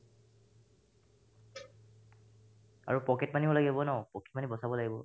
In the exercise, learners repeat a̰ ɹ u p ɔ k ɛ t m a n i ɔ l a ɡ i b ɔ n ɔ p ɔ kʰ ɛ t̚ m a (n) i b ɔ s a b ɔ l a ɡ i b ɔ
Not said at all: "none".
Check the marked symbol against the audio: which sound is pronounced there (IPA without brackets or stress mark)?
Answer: n